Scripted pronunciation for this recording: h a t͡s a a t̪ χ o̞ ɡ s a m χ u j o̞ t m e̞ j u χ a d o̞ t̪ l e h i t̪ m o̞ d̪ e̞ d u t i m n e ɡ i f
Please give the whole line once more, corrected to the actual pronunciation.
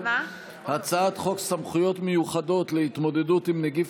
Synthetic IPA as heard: h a t͡s a a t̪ χ o̞ k s a m χ u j o̞ t m e̞ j u χ a d o̞ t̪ l e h i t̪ m o̞ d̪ e̞ d u t i m n e ɡ i f

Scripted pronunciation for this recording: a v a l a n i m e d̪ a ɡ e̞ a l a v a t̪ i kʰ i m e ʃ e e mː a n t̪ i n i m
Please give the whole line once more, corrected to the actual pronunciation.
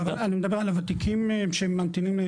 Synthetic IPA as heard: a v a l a n i m e d̪ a b e̞ a l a v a t̪ i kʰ i m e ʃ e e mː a n t̪ i n i m

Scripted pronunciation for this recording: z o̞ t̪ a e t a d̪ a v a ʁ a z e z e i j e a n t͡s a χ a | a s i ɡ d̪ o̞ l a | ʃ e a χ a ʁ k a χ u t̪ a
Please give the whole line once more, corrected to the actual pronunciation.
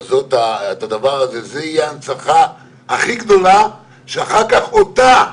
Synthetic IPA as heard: z o̞ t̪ a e t a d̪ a v a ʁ a z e z e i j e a n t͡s a χ a | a χ i ɡ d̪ o̞ l a | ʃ e a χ a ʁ k a χ o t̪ a

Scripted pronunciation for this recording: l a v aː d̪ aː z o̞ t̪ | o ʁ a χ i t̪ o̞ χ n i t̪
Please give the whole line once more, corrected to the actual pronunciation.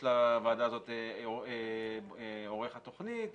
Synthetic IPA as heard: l a v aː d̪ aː z o̞ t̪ | o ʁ e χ a t̪ o̞ χ n i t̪

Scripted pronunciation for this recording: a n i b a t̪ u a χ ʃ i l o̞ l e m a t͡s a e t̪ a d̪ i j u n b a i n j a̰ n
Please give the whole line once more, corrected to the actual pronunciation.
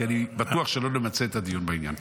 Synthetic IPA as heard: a n i b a t̪ u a χ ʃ e l o̞ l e m a t͡s e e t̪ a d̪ i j u n b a i n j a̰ n

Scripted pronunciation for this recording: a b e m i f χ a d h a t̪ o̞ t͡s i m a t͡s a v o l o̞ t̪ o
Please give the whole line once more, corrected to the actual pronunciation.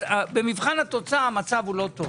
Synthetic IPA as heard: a b e m i v χ a n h a t̪ o̞ t͡s a m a t͡s a v u l o̞ t̪ o

